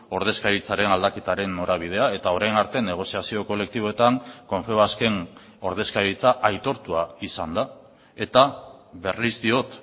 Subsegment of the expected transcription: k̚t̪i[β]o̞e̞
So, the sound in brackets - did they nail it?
yes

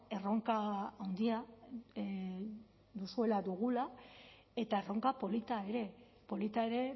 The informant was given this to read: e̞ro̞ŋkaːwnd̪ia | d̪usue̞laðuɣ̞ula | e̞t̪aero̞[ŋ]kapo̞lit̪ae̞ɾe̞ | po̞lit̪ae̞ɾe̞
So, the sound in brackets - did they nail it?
yes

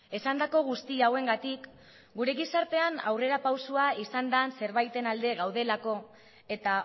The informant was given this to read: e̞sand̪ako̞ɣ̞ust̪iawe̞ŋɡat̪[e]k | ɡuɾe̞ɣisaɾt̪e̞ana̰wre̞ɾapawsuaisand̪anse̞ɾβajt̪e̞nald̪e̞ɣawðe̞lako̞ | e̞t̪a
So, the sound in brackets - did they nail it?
no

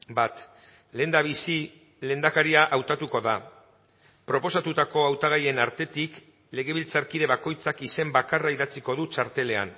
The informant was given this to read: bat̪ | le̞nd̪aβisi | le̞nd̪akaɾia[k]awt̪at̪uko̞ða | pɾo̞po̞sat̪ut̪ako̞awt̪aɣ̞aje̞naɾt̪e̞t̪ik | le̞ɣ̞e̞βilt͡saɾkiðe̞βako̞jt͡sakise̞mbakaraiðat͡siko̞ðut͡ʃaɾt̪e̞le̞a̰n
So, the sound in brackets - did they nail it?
no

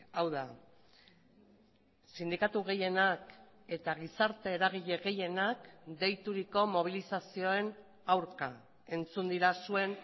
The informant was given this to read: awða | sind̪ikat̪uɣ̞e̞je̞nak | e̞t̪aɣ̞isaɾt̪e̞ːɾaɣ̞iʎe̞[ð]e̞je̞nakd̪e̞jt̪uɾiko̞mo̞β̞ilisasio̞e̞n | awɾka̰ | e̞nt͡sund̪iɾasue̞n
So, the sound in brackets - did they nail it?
no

